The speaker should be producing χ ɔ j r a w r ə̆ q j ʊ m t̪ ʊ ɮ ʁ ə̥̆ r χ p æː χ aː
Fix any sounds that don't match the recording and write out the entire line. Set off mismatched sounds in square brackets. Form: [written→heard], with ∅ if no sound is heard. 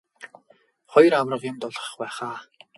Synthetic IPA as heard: χ ɔ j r a w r ə̆ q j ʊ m t̪ ʊ ɮ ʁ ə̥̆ [r→∅] χ p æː χ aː